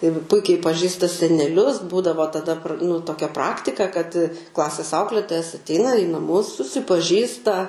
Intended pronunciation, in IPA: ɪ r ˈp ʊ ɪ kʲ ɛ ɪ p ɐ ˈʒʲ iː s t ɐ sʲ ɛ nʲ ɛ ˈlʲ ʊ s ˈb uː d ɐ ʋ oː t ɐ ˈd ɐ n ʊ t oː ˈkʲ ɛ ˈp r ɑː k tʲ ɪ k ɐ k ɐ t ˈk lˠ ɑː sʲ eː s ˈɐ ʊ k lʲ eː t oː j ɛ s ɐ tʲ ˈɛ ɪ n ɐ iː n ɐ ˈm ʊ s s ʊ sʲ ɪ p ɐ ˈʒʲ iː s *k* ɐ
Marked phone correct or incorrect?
incorrect